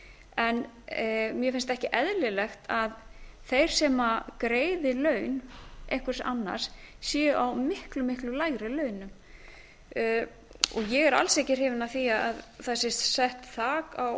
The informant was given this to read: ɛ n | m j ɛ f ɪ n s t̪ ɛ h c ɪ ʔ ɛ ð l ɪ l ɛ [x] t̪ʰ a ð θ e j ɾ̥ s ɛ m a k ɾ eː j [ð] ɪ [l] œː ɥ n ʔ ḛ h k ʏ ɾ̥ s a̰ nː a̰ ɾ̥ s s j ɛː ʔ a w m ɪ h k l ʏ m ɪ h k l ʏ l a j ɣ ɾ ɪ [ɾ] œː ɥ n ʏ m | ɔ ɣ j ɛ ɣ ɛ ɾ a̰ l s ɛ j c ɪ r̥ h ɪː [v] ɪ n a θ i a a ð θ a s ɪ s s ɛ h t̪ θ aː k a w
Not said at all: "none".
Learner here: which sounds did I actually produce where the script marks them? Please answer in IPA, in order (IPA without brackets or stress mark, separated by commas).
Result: x, ð, l, l, v